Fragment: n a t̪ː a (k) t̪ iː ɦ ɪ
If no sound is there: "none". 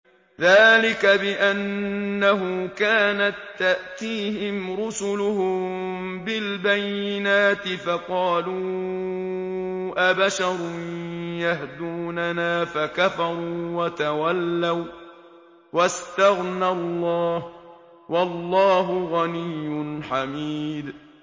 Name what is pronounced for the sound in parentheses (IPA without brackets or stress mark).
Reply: ʔ